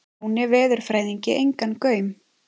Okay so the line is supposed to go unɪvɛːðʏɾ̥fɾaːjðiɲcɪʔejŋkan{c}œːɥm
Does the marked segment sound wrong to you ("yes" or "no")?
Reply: yes